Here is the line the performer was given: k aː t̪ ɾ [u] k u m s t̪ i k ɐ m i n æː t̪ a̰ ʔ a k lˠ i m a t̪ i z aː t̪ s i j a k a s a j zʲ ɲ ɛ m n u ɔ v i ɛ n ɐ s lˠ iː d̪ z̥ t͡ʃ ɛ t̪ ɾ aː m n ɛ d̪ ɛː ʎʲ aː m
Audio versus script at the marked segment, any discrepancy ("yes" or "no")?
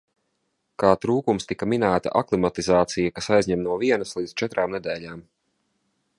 yes